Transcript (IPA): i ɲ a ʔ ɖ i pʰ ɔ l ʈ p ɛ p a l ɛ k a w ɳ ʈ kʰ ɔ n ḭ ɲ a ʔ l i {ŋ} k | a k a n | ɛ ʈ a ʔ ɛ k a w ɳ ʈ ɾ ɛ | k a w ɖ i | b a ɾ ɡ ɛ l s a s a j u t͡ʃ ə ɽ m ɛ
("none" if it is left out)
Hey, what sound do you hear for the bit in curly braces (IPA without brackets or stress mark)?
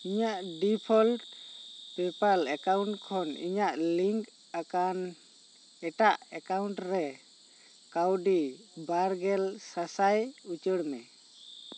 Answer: ŋ